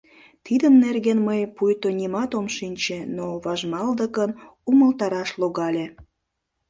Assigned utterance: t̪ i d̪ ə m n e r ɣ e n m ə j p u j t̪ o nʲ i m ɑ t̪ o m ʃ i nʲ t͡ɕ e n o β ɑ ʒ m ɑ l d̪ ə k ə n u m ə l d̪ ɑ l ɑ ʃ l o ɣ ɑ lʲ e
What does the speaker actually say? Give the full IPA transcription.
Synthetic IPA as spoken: t̪ i d̪ ə m n e r ɣ e n m ə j p u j t̪ o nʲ i m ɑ t̪ o m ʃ i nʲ t͡ɕ e n o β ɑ ʒ m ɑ l d̪ ə k ə n u m ə l t̪ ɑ ɾ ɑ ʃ l o ɣ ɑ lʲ e